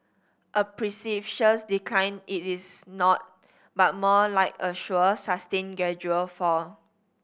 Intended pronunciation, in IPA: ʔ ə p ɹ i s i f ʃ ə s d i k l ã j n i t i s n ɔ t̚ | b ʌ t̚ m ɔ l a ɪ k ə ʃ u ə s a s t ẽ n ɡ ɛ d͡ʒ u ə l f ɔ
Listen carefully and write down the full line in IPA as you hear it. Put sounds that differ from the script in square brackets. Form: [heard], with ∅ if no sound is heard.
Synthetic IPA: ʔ ə p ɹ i s i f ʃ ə s d i k l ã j n i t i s n ɔ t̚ | b [a] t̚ m ɔ l a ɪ k ə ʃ u ə s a s t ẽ n ɡ ɛ d͡ʒ u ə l f ɔ